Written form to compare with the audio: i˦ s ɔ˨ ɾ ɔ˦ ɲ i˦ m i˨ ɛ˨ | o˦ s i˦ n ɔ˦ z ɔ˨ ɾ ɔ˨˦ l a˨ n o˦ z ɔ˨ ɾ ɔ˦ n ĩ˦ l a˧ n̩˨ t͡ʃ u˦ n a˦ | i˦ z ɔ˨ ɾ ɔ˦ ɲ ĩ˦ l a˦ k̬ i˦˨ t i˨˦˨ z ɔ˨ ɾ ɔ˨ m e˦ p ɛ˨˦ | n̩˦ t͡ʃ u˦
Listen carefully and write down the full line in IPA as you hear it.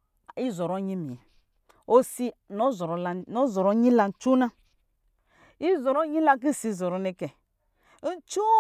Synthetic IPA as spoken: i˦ z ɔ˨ ɾ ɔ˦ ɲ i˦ m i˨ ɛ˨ | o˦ s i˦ n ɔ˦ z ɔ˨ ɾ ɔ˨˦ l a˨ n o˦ z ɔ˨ ɾ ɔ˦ ɲ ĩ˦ l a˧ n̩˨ t͡ʃ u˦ n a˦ | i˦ z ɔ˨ ɾ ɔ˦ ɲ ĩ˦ l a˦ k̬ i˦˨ s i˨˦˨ z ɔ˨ ɾ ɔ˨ n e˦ k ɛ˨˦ | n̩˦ t͡ʃ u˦